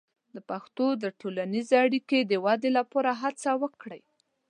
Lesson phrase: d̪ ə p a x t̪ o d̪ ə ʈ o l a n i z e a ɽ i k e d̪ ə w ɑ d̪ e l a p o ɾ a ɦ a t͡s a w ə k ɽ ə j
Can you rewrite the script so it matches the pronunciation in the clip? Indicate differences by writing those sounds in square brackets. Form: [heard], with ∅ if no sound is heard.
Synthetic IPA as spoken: d̪ ə p a x t̪ o d̪ ə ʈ o l a n i z e a ɽ i k e d̪ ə w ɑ d̪ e l a p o ɾ a ɦ a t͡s a w ə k ɽ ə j